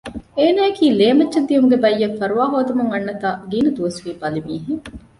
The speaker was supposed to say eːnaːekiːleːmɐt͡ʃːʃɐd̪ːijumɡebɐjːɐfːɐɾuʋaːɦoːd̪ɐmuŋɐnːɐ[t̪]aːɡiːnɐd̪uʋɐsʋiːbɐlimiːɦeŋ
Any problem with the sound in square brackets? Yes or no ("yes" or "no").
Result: no